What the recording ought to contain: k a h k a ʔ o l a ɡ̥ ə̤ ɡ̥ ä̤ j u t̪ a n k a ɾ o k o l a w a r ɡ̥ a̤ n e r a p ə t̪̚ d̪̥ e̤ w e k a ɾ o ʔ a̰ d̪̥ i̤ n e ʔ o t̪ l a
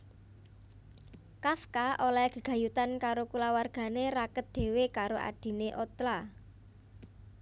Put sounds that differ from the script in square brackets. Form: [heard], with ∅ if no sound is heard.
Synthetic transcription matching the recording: k a [f] k a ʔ o l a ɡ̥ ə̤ ɡ̥ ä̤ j u t̪ a n k a ɾ o k [u] l a w a r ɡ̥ a̤ n e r a [k] ə t̪̚ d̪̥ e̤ w e k a ɾ o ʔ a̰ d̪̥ i̤ n e ʔ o t̪ l a